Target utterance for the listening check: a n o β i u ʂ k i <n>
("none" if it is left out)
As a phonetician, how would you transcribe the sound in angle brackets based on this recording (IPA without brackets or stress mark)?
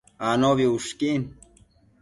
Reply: n